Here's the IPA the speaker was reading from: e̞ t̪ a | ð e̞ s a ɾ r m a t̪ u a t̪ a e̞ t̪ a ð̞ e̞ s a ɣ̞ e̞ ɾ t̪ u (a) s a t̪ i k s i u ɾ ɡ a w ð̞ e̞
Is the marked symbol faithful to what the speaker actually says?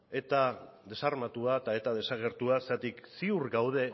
yes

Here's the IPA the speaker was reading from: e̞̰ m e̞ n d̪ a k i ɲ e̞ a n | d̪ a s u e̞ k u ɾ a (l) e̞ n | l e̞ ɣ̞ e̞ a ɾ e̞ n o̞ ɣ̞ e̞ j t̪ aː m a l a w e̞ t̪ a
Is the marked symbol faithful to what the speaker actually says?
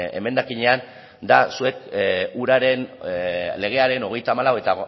no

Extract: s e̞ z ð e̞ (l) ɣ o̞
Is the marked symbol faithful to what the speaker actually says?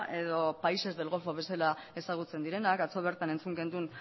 yes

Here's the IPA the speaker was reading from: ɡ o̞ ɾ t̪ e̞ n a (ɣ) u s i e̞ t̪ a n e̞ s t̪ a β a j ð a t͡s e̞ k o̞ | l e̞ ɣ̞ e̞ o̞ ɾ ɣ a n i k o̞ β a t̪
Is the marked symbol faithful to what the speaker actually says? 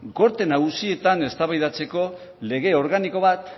yes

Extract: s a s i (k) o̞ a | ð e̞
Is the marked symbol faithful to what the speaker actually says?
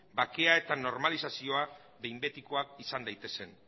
no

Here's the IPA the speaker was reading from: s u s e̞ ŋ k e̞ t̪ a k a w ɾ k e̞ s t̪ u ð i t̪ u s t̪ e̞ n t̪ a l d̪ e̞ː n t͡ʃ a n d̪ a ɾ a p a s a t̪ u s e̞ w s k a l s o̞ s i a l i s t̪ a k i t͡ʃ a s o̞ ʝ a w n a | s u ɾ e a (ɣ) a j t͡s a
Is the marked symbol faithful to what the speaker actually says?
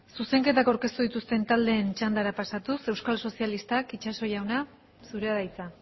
no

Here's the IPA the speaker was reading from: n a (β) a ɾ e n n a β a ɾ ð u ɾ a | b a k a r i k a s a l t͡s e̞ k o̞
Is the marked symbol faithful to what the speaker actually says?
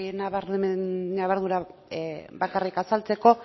yes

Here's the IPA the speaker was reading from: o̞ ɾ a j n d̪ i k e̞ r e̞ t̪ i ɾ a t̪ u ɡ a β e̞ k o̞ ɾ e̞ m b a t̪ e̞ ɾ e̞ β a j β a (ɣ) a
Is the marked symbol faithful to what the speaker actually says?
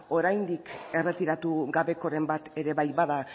no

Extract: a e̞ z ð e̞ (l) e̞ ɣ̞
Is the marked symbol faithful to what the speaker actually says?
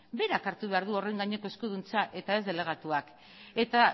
yes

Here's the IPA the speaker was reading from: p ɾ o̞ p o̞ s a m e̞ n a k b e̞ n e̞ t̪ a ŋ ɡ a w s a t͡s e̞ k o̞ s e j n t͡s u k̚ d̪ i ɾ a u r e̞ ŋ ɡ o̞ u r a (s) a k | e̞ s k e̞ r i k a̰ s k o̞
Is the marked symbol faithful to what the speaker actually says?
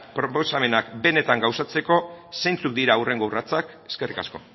no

